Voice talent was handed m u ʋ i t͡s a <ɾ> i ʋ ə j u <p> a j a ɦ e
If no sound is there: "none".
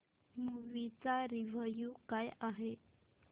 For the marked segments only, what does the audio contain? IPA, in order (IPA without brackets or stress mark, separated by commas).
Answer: ɾ, k